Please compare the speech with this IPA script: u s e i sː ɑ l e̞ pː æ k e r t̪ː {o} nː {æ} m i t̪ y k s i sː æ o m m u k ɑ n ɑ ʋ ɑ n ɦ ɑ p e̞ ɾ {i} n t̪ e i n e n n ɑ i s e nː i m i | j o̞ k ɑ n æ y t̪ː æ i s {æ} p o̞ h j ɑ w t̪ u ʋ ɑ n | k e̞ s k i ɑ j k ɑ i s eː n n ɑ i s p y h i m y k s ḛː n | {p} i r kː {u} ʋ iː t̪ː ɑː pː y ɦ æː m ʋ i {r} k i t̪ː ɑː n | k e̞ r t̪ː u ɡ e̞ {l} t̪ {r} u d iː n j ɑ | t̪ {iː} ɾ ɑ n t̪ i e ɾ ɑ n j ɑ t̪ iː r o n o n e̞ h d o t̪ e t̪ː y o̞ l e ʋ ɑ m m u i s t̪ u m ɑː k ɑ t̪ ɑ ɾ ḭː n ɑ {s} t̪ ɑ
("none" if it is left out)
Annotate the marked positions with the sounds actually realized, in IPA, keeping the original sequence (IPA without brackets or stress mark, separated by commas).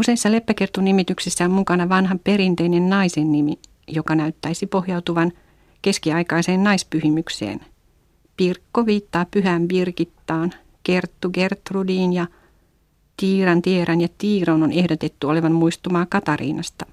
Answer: u, i, i, i, p, o, r, r, r, iː, s